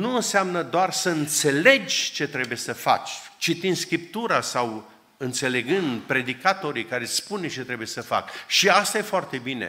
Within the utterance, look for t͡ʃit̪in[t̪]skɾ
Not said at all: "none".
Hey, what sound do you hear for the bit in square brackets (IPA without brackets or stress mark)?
d̪